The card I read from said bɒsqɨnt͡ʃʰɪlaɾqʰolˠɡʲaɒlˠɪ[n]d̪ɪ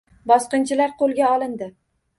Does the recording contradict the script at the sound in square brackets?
no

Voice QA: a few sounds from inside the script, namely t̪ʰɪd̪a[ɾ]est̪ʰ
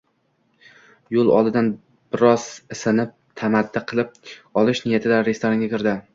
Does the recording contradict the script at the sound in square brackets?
no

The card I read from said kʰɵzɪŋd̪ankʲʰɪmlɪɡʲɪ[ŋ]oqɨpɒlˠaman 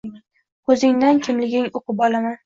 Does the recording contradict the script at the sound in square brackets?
no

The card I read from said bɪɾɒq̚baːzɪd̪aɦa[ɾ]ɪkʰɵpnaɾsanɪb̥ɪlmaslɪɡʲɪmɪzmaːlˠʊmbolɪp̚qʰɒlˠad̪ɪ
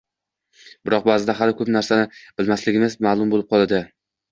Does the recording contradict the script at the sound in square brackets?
yes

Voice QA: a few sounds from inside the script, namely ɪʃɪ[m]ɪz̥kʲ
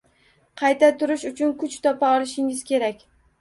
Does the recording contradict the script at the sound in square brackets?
yes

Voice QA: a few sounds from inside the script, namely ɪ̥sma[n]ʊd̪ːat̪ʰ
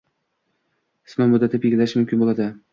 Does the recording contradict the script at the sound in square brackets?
yes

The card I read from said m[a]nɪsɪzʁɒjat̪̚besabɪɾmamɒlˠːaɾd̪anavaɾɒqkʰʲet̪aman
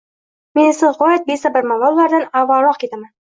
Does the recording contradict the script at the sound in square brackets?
yes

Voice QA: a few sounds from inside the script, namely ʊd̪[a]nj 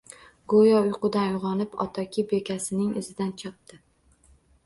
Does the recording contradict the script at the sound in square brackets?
no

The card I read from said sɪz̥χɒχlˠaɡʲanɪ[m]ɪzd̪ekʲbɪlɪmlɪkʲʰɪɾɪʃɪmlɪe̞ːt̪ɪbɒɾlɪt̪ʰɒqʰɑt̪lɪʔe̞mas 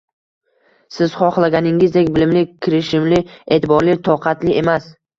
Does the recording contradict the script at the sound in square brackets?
yes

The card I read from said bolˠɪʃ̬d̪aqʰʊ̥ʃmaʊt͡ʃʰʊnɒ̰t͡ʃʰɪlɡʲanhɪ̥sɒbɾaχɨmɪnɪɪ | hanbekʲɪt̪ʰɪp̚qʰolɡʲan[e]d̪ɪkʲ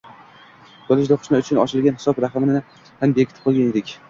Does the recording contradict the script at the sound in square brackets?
no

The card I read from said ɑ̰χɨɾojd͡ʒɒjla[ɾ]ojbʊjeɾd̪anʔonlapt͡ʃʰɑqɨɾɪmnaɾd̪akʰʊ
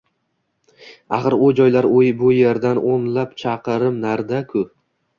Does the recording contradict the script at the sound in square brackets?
no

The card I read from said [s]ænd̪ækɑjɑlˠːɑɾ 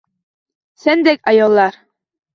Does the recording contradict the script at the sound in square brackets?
no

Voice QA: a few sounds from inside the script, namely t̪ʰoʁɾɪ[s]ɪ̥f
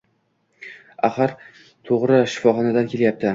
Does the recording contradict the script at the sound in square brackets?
yes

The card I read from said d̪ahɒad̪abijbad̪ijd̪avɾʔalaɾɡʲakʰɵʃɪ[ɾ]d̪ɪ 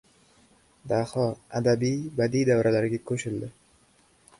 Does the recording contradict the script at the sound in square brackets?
yes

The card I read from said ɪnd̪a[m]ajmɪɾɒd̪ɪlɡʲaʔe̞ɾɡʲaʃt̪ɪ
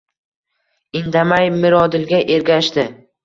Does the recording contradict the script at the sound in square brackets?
no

